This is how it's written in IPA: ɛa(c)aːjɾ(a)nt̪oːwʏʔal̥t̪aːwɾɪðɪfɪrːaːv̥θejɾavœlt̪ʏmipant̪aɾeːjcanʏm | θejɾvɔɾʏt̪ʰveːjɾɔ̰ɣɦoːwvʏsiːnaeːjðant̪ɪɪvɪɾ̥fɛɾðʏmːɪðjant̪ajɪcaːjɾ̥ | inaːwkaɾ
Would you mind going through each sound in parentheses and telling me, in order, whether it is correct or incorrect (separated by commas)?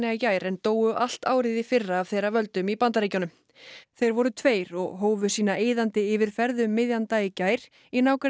correct, incorrect